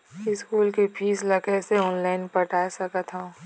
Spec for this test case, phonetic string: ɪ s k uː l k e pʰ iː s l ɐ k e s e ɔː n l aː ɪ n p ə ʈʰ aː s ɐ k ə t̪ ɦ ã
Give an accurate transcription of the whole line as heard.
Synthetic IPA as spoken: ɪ s k uː l k e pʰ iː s l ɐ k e s e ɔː n l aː ɪ n p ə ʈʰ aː s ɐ k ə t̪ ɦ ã